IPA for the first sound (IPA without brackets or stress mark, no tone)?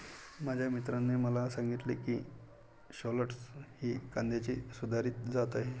m